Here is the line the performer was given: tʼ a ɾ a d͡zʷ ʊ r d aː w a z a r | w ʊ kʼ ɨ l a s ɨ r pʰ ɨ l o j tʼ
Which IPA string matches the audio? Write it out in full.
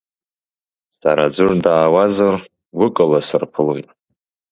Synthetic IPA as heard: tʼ a ɾ a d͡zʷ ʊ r d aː w a z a r | w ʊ kʼ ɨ l a s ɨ r pʰ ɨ l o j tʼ